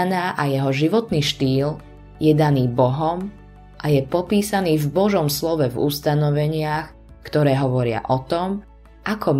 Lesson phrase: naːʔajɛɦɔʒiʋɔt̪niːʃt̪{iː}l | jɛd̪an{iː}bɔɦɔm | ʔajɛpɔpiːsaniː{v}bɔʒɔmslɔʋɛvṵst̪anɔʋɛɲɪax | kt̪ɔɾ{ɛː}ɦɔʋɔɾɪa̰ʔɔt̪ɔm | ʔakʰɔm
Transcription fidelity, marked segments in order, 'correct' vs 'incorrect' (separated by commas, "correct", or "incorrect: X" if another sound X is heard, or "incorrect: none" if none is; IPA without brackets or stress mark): correct, correct, correct, correct